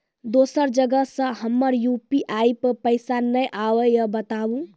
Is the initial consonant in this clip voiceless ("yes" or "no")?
no